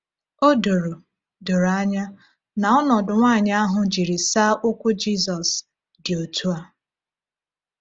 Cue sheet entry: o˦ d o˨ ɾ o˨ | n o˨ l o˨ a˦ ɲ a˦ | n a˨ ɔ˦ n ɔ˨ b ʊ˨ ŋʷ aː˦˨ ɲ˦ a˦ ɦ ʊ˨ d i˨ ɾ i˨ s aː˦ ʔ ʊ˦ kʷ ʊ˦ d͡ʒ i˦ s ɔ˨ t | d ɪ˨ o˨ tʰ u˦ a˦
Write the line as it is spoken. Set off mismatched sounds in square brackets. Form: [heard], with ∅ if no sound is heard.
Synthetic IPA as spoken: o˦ d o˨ ɾ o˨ | [d] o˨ [ɾ] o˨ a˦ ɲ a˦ | n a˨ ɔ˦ n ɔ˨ [d] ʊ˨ ŋʷ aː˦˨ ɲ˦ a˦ ɦ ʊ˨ [d͡ʒ] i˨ ɾ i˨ s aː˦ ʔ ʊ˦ kʷ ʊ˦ d͡ʒ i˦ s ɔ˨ [s] | d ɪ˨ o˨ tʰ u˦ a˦